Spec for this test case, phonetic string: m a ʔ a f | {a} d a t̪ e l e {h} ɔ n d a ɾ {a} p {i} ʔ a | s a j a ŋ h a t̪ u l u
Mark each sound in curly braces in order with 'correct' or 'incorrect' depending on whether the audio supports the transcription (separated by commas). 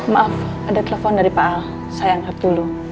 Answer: correct, incorrect, incorrect, incorrect